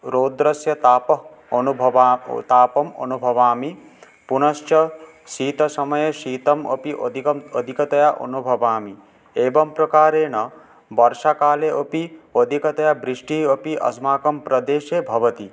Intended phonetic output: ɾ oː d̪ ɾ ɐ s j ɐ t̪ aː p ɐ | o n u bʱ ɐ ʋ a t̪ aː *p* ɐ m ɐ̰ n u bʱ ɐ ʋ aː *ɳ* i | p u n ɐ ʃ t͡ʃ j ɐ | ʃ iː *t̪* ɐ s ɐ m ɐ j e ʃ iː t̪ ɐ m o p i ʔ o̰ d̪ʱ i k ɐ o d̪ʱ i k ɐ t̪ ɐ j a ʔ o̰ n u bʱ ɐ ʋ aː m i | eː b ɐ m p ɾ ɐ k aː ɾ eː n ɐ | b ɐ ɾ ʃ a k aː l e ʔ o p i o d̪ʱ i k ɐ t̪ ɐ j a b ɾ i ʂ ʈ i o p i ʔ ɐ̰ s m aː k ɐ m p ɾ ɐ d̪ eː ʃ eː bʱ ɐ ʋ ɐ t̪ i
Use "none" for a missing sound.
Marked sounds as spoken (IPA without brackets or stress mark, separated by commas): p, m, t̪